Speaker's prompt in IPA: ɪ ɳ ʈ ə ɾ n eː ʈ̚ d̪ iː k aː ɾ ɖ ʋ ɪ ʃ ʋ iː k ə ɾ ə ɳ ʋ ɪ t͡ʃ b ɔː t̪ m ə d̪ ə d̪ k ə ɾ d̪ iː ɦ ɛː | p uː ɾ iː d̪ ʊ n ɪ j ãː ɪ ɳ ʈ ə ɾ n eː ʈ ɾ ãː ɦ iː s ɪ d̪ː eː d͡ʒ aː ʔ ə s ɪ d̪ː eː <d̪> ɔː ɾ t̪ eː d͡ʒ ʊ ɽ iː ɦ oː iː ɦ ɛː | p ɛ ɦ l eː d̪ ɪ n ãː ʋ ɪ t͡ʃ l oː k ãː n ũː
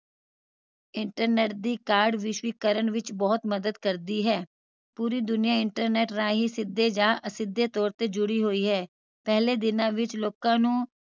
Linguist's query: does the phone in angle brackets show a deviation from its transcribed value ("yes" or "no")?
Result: yes